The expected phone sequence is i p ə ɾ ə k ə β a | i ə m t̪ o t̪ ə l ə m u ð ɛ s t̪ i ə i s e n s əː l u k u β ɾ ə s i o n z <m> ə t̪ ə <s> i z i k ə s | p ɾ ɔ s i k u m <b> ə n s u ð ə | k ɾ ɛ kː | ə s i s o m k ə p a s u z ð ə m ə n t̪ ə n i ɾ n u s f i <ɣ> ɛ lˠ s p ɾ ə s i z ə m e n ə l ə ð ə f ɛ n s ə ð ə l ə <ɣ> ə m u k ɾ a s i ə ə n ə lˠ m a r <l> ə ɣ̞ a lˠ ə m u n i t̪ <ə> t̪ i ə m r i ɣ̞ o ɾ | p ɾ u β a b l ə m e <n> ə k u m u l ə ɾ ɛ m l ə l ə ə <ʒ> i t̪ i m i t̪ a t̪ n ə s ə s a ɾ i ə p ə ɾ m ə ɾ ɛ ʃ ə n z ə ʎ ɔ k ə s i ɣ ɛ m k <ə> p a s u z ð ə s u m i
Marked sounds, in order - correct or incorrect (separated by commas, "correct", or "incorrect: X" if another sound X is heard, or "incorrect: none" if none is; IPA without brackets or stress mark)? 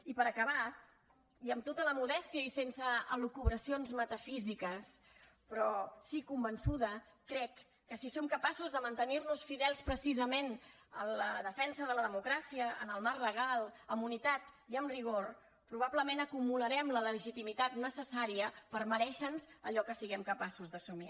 correct, incorrect: f, correct, incorrect: ð, incorrect: ð, incorrect: r, incorrect: a, correct, correct, correct